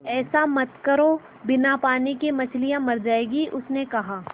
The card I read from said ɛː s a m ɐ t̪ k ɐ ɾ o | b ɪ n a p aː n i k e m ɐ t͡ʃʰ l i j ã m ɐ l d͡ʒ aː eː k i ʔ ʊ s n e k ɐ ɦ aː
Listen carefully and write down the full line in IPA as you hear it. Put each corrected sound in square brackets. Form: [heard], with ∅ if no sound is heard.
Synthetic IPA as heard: ɛː s a m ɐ t̪ k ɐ ɾ o | b ɪ n a p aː n i k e m ɐ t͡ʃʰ l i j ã m ɐ [ɾ] d͡ʒ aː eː [ɡ] i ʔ ʊ s n e k ɐ ɦ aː